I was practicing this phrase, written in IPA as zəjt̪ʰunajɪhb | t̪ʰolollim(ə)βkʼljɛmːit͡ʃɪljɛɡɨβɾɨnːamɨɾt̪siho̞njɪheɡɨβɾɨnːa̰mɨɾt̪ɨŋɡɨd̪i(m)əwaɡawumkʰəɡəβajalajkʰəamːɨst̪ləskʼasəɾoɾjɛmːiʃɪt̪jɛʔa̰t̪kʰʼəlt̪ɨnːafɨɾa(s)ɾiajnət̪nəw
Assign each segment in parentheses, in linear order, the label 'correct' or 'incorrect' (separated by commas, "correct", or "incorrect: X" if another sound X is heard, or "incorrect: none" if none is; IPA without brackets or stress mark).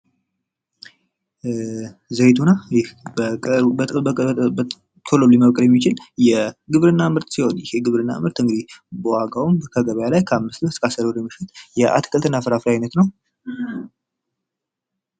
correct, incorrect: b, incorrect: f